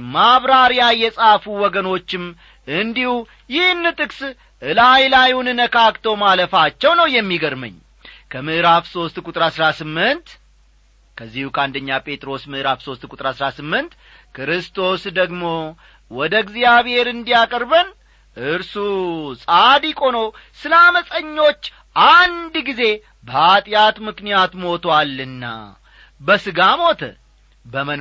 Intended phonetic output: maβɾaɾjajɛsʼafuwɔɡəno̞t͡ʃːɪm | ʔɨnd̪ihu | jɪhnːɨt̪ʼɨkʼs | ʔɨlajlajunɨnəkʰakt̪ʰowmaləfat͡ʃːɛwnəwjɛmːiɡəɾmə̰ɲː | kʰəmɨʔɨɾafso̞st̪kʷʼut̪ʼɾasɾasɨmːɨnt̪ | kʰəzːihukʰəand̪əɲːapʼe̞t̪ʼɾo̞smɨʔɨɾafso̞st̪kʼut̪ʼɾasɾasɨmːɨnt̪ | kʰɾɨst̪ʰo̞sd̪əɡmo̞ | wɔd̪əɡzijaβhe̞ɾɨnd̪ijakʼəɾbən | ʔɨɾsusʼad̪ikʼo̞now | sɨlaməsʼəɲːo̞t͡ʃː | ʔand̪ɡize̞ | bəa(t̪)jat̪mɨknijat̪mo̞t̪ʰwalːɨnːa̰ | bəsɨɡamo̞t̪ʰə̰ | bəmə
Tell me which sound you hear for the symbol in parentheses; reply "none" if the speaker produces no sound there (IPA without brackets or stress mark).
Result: t̪ʼ